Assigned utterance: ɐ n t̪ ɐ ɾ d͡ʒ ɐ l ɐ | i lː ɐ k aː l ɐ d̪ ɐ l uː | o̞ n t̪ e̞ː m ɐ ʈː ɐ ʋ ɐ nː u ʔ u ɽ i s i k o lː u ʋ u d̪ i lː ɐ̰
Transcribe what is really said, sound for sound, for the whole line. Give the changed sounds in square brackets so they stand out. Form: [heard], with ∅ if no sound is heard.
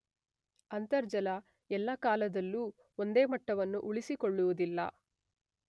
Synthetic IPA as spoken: ɐ n t̪ ɐ ɾ d͡ʒ ɐ l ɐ | [ɛ] lː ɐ k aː l ɐ d̪ ɐ [lː] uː | o̞ n [d̪] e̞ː m ɐ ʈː ɐ ʋ ɐ nː u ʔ u [ɭ] i s i k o [ɭː] u ʋ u d̪ i lː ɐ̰